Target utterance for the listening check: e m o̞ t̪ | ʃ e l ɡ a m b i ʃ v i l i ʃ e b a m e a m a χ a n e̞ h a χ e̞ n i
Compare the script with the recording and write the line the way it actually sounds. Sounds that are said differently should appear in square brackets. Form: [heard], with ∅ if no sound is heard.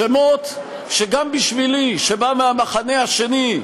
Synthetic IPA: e m o̞ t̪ | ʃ e [∅] ɡ a m b i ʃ v i l i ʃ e b a m e a m a χ a n e̞ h a [ʃ] e̞ n i